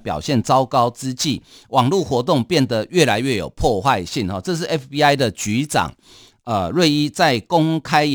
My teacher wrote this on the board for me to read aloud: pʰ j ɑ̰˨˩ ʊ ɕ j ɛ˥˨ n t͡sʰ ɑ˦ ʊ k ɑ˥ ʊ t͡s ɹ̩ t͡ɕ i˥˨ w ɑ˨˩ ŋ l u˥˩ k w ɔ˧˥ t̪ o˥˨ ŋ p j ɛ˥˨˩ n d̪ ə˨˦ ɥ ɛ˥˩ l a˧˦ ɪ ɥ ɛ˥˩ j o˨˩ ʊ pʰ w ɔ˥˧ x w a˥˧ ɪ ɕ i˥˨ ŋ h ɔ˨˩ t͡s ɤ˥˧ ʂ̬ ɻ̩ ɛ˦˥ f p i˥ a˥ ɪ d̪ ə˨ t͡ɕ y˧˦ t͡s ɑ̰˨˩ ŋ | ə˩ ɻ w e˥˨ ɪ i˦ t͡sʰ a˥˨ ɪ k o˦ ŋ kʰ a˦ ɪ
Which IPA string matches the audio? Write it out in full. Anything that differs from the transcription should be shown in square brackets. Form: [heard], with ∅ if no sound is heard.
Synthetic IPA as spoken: [p] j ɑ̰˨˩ ʊ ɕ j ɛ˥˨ n [t͡s] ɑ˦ ʊ k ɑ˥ ʊ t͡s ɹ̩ t͡ɕ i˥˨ w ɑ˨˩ ŋ l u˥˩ [x] w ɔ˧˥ t̪ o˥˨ ŋ p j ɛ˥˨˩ n d̪ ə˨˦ ɥ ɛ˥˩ l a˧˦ ɪ ɥ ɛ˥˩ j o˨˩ ʊ pʰ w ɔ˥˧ x w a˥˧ ɪ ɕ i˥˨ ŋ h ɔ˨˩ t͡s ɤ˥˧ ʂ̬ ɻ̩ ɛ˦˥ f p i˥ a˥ ɪ d̪ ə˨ t͡ɕ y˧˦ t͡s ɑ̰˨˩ ŋ | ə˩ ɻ w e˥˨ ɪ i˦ [t͡s] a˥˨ ɪ k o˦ ŋ kʰ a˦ ɪ